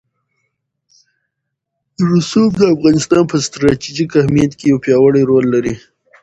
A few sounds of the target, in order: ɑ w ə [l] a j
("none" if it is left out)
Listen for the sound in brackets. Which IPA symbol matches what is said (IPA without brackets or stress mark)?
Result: ɽ